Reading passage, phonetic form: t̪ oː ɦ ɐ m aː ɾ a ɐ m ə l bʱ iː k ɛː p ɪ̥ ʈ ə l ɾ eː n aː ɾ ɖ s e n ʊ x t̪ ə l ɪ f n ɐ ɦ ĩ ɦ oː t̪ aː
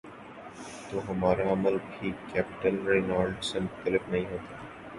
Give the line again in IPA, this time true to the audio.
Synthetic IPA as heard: t̪ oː ɦ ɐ m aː ɾ a ɐ m ə l bʱ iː k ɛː p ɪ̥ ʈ ə l ɾ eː n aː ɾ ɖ s e m ʊ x t̪ ə l ɪ f n ɐ ɦ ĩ ɦ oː t̪ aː